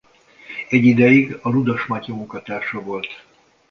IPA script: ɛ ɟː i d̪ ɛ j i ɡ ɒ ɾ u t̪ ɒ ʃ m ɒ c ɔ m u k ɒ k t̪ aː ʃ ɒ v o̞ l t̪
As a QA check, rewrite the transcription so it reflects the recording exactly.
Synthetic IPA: ɛ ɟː i d̪ ɛ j i ɡ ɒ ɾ u d̪ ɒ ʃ m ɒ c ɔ m u k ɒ t̪ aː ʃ ɒ v o̞ l t̪